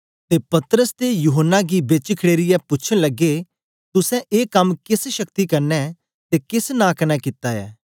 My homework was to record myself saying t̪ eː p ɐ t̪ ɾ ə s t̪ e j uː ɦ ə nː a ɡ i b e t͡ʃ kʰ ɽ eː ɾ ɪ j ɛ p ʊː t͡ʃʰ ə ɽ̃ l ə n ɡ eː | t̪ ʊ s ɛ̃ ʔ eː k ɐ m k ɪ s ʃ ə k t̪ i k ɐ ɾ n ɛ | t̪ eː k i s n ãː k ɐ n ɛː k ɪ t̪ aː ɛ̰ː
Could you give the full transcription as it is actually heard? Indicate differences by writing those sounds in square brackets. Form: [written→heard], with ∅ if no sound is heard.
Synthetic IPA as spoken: t̪ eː p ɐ t̪ ɾ ə s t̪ e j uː ɦ ə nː a ɡ i b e t͡ʃ kʰ ɽ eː ɾ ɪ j ɛ p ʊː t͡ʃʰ ə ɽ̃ l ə [n→∅] ɡ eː | t̪ ʊ s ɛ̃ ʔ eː k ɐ m k ɪ s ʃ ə k t̪ i k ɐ ɾ n ɛ | t̪ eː k [i→ɪ] s n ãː k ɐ n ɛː k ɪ t̪ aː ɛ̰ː